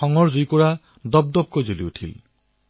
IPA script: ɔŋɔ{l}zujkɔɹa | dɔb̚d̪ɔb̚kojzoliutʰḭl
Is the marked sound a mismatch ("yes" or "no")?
yes